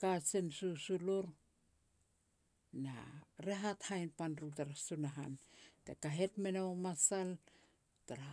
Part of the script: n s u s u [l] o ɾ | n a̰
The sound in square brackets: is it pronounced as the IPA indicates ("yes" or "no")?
yes